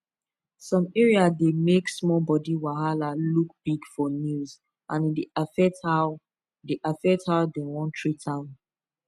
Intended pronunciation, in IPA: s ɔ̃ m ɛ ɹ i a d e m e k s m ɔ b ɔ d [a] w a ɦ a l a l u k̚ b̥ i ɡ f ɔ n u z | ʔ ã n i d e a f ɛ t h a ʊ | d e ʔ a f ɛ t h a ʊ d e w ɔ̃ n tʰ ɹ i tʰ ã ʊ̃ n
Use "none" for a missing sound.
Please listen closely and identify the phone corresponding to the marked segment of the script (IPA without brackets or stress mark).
i